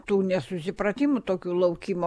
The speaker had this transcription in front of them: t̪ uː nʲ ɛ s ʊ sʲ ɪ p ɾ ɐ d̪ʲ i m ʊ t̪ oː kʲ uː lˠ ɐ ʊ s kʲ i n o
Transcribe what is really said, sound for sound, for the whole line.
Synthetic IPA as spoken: t̪ uː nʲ ɛ s ʊ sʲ ɪ p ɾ ɐ t̪ʲ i m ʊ t̪ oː kʲ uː lˠ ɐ ʊ kʲ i m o